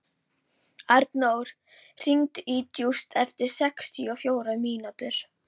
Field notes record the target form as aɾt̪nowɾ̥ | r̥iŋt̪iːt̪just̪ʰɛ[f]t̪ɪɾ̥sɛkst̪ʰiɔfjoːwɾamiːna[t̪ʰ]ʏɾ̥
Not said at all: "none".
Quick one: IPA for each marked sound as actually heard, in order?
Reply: f, t̪

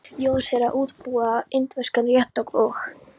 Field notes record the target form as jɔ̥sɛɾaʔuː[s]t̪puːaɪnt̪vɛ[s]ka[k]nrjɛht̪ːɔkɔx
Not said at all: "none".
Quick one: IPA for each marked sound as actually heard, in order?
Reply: none, s, none

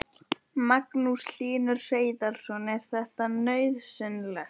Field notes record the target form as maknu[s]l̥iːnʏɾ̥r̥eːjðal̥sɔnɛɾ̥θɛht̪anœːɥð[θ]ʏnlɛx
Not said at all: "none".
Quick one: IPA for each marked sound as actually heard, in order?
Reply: s, s

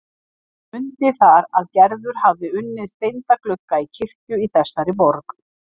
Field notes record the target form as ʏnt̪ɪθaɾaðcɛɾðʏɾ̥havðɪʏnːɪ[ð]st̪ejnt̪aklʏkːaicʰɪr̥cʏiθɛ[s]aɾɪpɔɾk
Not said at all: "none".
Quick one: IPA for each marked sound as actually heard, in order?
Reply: ð, sː

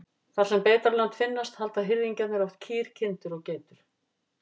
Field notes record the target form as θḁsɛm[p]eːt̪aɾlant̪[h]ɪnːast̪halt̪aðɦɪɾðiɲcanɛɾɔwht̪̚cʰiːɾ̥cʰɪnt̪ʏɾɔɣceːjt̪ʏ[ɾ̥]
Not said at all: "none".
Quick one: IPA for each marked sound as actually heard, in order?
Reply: p, f, ɾ̥

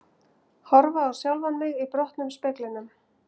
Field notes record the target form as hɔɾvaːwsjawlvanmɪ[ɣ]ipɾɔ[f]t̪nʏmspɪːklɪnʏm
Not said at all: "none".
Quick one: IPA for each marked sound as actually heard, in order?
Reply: ɣ, h

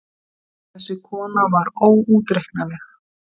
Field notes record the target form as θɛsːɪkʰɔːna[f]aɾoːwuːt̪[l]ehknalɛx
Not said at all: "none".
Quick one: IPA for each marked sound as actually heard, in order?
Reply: v, ɾ

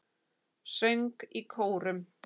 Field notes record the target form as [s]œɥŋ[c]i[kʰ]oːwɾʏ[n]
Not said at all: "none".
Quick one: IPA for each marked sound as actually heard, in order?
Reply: s, k, kʰ, m

